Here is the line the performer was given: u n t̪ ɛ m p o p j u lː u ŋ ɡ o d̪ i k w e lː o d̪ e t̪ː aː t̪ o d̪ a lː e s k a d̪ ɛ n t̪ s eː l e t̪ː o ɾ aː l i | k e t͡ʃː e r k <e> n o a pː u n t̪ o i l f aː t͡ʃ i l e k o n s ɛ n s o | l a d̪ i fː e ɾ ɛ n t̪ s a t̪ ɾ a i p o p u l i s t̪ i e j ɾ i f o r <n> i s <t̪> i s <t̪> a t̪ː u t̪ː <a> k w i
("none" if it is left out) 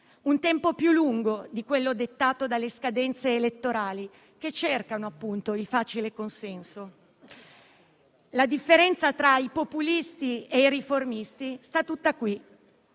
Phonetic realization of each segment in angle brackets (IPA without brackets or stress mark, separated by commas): a, m, t̪, t̪, a